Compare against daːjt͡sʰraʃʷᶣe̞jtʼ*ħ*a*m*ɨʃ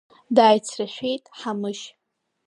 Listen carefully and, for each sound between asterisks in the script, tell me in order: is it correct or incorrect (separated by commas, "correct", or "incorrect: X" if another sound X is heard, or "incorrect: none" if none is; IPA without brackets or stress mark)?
correct, correct